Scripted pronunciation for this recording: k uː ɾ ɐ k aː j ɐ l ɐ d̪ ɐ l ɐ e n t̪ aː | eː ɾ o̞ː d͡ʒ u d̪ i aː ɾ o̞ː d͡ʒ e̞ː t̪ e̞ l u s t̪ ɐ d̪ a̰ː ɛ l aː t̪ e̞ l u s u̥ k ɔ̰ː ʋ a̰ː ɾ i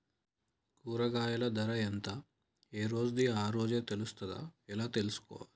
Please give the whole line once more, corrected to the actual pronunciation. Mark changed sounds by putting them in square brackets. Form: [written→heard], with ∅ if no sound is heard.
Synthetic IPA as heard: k uː ɾ ɐ [k→ɡ] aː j ɐ l ɐ d̪ ɐ [l→ɾ] ɐ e n t̪ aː | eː ɾ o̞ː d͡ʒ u d̪ i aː ɾ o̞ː d͡ʒ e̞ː t̪ e̞ l u s t̪ ɐ d̪ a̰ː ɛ l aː t̪ e̞ l u s u̥ k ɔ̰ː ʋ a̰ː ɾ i